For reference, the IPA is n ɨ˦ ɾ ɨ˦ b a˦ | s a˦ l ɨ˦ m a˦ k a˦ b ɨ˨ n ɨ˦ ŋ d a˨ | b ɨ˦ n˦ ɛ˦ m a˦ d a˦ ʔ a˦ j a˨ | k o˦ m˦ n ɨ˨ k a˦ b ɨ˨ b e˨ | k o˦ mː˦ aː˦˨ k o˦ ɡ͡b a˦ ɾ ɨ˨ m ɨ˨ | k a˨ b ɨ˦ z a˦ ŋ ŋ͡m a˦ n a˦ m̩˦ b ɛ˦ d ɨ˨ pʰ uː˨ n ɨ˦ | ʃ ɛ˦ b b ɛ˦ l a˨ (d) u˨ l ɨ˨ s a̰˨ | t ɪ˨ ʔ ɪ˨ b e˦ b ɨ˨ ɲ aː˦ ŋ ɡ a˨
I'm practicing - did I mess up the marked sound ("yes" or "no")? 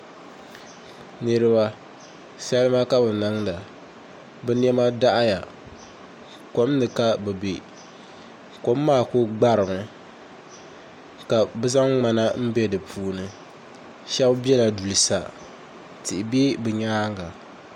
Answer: no